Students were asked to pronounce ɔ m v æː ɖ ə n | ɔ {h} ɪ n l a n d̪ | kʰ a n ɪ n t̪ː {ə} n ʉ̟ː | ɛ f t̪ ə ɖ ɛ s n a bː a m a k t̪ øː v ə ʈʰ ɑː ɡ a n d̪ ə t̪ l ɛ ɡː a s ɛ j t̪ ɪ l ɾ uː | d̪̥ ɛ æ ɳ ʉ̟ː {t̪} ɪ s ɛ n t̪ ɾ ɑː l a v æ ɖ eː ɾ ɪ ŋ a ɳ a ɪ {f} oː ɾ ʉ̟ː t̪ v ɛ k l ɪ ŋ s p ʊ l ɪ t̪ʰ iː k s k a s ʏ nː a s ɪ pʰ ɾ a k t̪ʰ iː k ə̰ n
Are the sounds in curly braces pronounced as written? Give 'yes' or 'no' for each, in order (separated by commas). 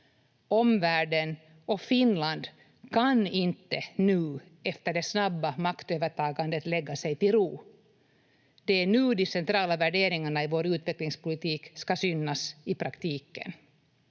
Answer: no, yes, no, no